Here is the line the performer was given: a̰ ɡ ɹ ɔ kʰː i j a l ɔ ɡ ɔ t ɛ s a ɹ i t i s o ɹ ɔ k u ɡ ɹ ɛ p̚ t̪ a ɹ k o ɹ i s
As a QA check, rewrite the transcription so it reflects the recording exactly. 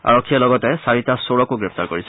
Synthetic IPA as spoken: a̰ ɹ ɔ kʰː i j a l ɔ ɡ ɔ t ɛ s a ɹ i t a s o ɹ ɔ k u ɡ ɹ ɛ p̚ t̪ a ɹ k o ɹ i s